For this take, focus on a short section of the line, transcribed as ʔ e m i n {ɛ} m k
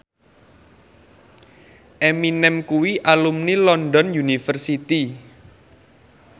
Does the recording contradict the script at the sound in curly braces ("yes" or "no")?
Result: no